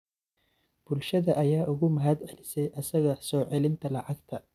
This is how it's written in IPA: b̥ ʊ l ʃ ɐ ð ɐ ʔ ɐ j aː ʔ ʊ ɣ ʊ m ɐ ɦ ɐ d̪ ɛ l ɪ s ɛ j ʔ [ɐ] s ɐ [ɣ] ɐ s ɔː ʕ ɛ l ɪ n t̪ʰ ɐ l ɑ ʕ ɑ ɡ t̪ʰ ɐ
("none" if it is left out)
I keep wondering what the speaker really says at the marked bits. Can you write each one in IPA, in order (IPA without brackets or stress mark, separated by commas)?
ɐ, ɣ